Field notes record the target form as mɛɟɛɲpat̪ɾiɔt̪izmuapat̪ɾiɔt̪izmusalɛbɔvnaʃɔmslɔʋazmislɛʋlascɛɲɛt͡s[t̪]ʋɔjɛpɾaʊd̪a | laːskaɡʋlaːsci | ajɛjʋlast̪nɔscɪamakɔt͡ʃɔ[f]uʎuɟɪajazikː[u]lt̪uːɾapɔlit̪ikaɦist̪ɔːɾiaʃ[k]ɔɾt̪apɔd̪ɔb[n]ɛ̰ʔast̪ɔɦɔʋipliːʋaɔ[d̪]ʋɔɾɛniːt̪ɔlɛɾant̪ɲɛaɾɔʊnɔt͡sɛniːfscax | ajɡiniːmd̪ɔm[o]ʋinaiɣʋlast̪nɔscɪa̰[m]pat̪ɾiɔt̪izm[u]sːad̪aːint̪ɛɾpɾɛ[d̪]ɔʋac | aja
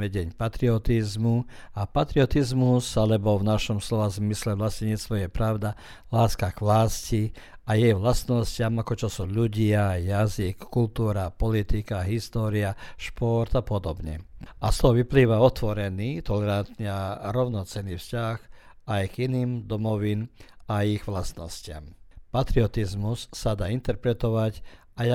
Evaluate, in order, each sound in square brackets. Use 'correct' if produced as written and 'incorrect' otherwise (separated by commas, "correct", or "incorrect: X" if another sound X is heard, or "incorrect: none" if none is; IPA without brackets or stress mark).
correct, incorrect: s, correct, incorrect: p, incorrect: ɲ, incorrect: t̪, incorrect: ɔ, correct, correct, incorrect: t̪